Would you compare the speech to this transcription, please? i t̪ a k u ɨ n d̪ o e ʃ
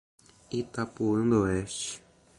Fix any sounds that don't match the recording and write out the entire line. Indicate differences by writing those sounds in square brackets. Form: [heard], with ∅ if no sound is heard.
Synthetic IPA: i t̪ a [p] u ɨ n d̪ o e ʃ

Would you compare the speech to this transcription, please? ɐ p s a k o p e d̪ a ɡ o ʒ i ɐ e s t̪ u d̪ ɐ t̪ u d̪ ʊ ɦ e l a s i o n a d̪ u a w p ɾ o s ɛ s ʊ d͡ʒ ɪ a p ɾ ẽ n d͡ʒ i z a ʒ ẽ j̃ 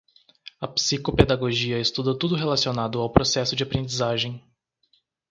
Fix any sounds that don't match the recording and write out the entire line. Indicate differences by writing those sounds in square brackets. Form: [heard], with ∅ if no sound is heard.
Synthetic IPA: ɐ p s [i] k o p e d̪ a ɡ o ʒ i ɐ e s t̪ u d̪ ɐ t̪ u d̪ ʊ ɦ e l a s i o n a d̪ [ʊ] a w p ɾ o s ɛ s ʊ d͡ʒ ɪ a p ɾ ẽ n d͡ʒ i z a ʒ ẽ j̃

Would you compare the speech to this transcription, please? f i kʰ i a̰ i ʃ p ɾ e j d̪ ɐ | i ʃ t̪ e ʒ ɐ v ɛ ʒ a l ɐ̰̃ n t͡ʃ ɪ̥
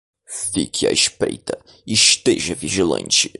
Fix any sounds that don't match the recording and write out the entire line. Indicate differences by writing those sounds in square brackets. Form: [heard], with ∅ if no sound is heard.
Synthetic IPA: f i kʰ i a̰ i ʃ p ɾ e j [t̪] ɐ | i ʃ t̪ e ʒ ɐ v [i] ʒ [i] l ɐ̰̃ n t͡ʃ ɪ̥

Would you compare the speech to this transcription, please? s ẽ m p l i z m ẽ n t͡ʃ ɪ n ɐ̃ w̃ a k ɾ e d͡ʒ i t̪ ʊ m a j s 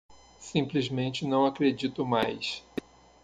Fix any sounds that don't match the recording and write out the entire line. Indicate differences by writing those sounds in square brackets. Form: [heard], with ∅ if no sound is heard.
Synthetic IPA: s [ĩ] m p l i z m ẽ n t͡ʃ ɪ n ɐ̃ w̃ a k ɾ e d͡ʒ i t̪ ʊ m a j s

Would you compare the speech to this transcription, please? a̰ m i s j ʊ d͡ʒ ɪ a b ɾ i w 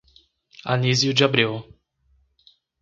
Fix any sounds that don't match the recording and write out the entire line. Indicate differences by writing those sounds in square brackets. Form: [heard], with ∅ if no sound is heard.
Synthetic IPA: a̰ [n] i [z] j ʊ d͡ʒ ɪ a b ɾ i w

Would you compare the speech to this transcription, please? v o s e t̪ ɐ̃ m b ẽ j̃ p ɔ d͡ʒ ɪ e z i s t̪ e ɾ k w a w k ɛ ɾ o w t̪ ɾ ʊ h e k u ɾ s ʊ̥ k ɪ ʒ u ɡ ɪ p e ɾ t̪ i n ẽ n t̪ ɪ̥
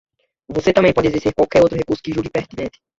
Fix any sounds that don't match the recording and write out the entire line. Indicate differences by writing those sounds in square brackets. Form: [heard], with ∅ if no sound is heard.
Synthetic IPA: v o s e t̪ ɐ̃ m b ẽ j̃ p ɔ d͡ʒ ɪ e z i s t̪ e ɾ k w a w k ɛ ɾ o w t̪ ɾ ʊ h e k u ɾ s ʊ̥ k ɪ ʒ u ɡ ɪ p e ɾ t̪ i n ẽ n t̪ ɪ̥

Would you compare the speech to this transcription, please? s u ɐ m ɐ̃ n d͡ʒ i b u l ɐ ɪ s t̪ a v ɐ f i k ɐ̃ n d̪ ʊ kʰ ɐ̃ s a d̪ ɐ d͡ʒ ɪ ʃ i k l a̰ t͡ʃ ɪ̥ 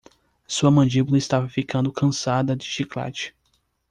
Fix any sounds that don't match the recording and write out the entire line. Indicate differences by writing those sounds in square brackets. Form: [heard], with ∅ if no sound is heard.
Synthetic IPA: s u ɐ m ɐ̃ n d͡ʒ i b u l ɐ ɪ s t̪ a v ɐ f i k ɐ̃ n d̪ ʊ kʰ ɐ̃ s a d̪ ɐ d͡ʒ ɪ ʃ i k l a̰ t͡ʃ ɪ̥

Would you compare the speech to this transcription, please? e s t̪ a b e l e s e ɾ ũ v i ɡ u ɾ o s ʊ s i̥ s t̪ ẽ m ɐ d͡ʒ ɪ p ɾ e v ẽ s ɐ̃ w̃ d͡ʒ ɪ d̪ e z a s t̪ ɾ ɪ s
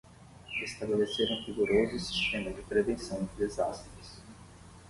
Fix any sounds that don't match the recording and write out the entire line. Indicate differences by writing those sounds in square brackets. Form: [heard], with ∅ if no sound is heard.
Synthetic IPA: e s t̪ a b e l e s e ɾ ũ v i ɡ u ɾ o [z] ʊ s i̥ s t̪ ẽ m ɐ d͡ʒ ɪ p ɾ e v ẽ s ɐ̃ w̃ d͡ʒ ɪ d̪ e z a s t̪ ɾ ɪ s

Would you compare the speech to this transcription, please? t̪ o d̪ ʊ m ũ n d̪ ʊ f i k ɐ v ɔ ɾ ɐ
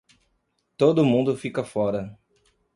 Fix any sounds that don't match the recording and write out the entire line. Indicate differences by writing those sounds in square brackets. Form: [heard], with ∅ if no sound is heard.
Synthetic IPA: t̪ o d̪ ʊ m ũ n d̪ ʊ f i k ɐ [f] ɔ ɾ ɐ

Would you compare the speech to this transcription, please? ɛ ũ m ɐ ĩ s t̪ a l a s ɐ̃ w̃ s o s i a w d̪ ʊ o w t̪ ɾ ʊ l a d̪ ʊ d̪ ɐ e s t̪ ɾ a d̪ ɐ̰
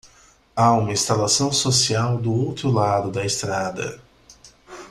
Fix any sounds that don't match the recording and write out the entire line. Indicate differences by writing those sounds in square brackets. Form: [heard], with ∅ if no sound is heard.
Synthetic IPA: [a] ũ m ɐ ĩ s t̪ a l a s ɐ̃ w̃ s o s i a w d̪ ʊ o w t̪ ɾ ʊ l a d̪ ʊ d̪ ɐ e s t̪ ɾ a d̪ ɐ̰

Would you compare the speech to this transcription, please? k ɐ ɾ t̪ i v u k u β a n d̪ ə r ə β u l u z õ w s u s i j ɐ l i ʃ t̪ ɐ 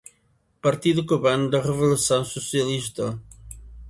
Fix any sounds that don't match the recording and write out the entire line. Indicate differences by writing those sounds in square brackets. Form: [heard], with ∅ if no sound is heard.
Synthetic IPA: [p] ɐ ɾ t̪ i [ð] u k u β a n d̪ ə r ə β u l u [s] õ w s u s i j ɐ l i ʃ t̪ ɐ

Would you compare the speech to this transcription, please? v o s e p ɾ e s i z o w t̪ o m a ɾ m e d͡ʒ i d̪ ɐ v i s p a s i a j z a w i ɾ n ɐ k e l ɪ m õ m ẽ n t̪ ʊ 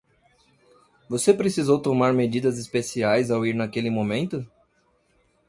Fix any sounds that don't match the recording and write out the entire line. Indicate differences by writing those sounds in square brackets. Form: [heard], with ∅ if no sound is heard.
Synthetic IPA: v o s e p ɾ e s i z o w t̪ o m a ɾ m e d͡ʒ i d̪ ɐ [z] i s p [e] s i a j z a w i ɾ n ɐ k e l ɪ m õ m ẽ n t̪ ʊ

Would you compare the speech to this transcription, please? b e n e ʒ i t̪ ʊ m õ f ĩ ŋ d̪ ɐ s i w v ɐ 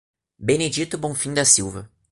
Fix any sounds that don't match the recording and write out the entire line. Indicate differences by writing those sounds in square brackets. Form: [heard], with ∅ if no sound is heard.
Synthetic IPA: b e n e [d͡ʒ] i t̪ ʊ [b] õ f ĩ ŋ d̪ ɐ s i w v ɐ

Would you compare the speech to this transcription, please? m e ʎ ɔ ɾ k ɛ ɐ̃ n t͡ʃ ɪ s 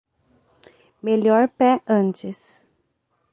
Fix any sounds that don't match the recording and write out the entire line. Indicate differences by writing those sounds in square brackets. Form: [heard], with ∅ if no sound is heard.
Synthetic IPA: m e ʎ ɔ ɾ [p] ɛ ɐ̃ n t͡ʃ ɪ s

